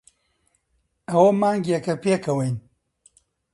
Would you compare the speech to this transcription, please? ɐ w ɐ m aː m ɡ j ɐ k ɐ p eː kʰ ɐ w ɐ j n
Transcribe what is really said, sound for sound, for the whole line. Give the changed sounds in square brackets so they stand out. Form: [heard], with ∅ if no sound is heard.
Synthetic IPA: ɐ w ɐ m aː [ŋ] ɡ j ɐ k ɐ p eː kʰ ɐ w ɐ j n